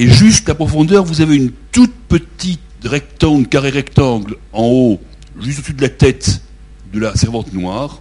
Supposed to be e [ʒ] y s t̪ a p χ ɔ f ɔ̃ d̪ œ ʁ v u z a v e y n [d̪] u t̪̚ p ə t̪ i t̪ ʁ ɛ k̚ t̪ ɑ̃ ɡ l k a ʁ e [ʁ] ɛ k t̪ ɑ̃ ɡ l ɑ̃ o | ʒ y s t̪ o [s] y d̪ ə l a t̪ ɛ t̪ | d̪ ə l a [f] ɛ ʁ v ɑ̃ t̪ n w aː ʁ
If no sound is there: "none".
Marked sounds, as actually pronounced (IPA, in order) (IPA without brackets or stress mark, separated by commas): ʒ, t̪, ʁ, s, s